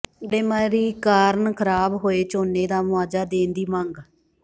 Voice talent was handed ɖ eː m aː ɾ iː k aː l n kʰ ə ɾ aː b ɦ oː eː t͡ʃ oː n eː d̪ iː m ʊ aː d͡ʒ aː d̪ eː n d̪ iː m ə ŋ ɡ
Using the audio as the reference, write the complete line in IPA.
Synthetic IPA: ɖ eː m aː ɾ iː k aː ɾ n kʰ ə ɾ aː b ɦ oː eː t͡ʃ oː n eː d̪ aː m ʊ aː d͡ʒ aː d̪ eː n d̪ iː m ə ŋ ɡ